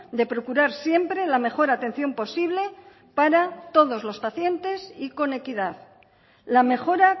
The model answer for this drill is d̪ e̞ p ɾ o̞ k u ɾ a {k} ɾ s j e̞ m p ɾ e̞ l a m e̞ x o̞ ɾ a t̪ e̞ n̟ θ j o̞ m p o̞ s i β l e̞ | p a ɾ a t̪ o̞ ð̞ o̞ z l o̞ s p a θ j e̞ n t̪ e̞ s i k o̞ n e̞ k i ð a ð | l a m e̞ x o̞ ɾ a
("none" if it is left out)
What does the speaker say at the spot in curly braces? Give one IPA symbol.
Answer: none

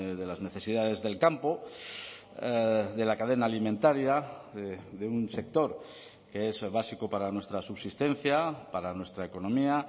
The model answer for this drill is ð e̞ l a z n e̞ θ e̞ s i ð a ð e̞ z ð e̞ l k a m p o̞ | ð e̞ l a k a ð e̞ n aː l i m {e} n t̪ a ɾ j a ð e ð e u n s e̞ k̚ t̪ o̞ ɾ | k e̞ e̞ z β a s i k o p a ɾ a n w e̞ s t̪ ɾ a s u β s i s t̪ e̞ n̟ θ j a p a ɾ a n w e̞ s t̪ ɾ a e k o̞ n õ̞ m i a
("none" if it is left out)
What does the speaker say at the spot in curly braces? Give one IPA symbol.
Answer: ẽ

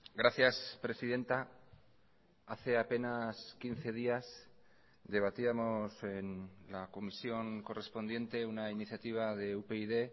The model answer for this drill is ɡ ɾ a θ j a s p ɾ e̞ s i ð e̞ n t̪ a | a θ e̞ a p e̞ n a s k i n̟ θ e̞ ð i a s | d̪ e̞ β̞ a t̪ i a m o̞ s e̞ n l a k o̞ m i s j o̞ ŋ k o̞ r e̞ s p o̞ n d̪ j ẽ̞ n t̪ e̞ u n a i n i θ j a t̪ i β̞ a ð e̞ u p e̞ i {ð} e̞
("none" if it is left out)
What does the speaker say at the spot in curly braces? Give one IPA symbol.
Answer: ð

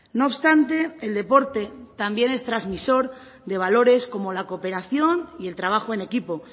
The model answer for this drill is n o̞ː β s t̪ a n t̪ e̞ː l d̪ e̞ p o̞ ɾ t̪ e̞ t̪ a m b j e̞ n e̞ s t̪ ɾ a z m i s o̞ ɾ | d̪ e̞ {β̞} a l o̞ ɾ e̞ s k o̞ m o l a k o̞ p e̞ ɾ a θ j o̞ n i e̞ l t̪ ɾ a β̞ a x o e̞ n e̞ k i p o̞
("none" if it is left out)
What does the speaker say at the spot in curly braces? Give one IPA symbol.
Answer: β̞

